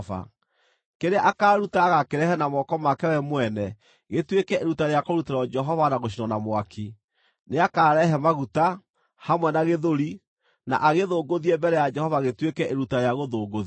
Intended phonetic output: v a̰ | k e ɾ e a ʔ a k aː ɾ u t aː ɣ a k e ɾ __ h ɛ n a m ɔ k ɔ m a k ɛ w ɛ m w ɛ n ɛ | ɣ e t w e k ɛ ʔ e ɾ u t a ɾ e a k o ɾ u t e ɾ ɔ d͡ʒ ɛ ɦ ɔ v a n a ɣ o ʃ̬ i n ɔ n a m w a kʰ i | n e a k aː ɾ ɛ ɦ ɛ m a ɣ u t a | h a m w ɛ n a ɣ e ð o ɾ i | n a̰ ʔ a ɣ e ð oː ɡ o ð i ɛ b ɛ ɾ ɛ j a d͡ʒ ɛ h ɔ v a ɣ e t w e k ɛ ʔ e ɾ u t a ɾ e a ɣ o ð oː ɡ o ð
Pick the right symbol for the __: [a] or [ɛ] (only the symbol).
ɛ